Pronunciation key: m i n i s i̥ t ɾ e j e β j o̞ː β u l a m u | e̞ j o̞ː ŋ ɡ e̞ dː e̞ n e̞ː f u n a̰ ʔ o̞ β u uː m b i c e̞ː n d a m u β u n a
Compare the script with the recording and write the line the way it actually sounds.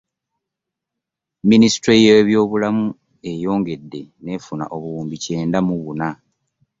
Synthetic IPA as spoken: m i n i s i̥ t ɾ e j e β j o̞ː β u l a m u | e̞ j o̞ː ŋ ɡ e̞ dː e̞ n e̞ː f u n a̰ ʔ o̞ β u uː m b i c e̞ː n d a m u β u n a

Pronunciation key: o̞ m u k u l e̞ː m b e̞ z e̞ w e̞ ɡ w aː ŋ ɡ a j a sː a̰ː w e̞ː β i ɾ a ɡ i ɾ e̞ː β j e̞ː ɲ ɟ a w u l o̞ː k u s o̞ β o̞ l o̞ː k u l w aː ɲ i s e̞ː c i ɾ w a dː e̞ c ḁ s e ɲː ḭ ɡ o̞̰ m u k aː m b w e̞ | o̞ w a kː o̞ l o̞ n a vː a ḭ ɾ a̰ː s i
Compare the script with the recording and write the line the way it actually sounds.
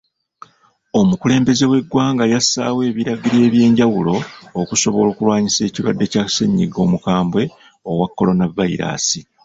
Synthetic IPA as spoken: o̞ m u k u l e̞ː m b e̞ z e̞ w e̞ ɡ w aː ŋ ɡ a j a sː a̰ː w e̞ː β i ɾ a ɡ i ɾ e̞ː β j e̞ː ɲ ɟ a w u l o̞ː k u s o̞ β o̞ l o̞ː k u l w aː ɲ i s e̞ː c i ɾ w a dː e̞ c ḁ s e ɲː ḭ ɡ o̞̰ m u k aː m b w e̞ | o̞ w a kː o̞ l o̞ n a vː a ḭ ɾ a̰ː s i

